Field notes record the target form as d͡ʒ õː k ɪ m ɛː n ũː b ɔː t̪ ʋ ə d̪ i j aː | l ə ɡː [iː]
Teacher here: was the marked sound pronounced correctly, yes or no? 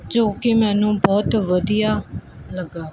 no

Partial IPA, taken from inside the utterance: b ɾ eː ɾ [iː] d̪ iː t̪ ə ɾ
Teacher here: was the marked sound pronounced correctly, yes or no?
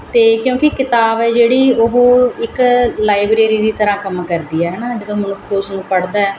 yes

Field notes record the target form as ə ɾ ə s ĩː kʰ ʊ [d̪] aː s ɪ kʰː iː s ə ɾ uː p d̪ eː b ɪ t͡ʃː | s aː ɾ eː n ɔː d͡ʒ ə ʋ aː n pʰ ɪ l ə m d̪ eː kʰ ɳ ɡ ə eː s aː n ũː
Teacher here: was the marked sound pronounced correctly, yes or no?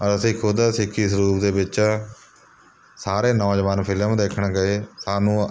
yes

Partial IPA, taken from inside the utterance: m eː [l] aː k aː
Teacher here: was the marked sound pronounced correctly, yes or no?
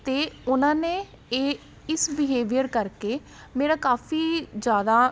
no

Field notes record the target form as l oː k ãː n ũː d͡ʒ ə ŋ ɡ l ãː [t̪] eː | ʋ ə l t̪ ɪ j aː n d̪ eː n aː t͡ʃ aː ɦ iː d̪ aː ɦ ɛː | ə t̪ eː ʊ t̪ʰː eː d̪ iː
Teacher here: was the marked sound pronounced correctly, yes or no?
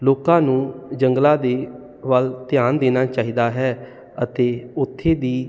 no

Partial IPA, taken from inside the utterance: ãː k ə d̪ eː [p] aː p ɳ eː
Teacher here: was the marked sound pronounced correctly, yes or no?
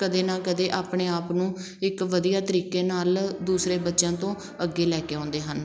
no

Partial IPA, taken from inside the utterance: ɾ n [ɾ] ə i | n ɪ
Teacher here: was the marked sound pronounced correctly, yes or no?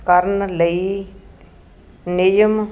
no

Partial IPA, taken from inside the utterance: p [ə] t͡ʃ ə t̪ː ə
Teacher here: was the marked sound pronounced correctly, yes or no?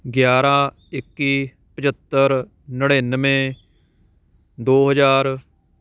yes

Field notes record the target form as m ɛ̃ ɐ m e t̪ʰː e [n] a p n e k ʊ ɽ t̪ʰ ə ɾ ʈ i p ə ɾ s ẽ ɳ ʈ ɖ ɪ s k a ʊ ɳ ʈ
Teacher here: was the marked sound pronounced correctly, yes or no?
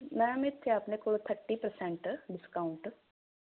no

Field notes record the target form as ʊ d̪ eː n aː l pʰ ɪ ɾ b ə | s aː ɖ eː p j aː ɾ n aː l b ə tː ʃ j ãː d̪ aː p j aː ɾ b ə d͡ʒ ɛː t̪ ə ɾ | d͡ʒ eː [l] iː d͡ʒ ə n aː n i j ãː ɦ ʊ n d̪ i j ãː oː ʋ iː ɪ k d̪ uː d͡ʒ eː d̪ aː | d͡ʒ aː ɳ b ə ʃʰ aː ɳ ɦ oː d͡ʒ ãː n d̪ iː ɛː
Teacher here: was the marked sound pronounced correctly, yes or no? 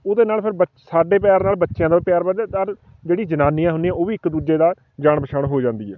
no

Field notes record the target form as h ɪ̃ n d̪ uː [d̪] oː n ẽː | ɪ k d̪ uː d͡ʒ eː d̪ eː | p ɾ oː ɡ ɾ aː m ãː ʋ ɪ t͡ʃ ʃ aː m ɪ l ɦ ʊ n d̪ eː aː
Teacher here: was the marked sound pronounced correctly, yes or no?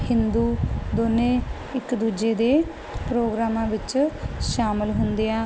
yes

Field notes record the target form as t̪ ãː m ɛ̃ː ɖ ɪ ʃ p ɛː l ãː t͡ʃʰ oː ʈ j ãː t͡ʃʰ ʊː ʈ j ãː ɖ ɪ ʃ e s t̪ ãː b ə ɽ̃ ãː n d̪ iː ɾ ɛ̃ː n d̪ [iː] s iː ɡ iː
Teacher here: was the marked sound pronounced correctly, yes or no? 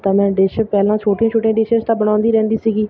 yes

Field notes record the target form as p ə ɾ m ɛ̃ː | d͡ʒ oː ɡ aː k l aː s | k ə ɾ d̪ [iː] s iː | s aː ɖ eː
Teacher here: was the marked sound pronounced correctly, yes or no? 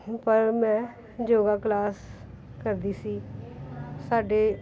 yes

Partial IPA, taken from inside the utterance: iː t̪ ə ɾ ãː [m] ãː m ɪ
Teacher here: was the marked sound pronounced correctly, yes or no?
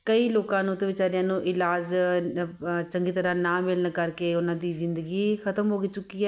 no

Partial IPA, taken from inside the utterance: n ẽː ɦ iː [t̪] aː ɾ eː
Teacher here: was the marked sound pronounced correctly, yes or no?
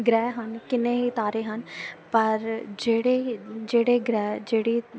yes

